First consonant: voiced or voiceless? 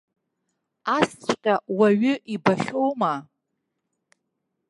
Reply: voiceless